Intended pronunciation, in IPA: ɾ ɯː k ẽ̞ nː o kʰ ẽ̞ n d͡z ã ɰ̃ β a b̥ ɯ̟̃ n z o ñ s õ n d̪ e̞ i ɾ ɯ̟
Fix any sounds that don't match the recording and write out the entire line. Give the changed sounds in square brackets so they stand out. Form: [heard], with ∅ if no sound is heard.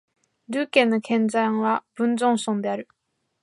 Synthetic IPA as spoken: ɾ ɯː k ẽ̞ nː o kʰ ẽ̞ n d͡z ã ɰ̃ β a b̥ ɯ̟̃ n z [õ] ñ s õ n d̪ e̞ [a] ɾ ɯ̟